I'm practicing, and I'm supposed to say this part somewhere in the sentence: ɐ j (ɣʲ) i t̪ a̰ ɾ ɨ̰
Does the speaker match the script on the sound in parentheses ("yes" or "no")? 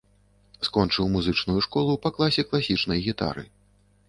yes